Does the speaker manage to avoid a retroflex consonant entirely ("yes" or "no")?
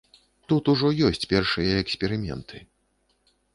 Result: no